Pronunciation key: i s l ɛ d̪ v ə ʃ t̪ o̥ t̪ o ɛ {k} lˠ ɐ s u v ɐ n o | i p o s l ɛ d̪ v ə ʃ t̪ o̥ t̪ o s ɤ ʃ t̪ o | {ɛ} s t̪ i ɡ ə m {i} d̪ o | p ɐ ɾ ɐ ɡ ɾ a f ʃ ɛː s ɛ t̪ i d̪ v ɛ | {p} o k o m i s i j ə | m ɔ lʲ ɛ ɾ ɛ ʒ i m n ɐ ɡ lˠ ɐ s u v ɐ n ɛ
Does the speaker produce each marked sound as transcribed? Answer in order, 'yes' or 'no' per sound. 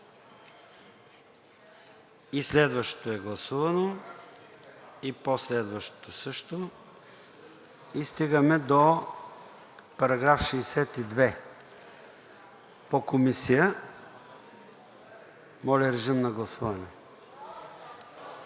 no, no, no, yes

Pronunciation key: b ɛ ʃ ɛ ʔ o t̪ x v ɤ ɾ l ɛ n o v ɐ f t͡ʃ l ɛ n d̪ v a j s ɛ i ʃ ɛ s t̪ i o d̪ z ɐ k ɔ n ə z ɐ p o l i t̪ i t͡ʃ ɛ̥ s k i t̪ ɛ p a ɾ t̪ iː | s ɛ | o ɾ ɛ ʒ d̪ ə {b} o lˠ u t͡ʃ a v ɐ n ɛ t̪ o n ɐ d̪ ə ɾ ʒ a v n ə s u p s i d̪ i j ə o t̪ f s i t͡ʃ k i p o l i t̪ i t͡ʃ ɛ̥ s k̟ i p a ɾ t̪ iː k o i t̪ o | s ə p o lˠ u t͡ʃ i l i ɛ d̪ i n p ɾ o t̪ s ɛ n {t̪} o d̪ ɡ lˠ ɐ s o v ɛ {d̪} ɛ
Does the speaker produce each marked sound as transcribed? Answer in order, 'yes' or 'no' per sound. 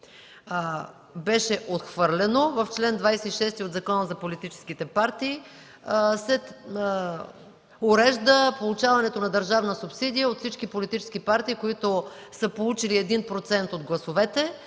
no, yes, no

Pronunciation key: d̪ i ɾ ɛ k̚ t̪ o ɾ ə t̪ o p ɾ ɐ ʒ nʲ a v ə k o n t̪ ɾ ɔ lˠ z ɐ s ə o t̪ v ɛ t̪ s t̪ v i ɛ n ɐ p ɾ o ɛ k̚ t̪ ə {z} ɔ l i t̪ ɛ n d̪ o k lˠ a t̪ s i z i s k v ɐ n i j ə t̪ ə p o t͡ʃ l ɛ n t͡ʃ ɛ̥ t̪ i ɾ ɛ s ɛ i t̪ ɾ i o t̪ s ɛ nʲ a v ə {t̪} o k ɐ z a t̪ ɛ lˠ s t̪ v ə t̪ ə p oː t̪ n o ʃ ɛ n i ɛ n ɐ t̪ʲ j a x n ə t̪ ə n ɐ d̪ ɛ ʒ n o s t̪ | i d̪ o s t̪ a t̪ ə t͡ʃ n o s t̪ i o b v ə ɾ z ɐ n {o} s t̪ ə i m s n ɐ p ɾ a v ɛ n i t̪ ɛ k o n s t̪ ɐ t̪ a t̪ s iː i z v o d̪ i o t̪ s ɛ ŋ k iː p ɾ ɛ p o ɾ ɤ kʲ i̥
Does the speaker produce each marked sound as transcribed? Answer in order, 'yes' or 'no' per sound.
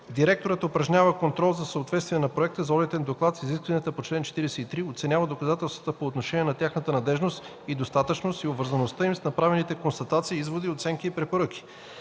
yes, no, yes

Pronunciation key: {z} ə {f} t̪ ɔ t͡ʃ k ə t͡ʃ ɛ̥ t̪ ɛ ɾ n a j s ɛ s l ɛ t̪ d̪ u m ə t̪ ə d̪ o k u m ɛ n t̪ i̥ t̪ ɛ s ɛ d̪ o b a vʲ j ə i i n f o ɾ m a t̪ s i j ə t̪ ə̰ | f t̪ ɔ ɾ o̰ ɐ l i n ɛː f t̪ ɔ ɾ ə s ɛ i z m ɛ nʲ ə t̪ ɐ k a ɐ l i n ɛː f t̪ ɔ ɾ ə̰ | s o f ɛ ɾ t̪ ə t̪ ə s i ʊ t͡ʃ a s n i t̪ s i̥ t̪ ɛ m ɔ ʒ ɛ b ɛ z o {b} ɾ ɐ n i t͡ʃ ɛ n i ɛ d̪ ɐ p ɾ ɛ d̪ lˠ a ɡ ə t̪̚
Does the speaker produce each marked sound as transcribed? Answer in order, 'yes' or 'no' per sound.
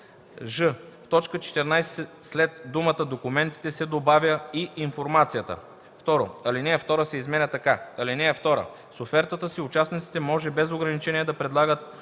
no, yes, no

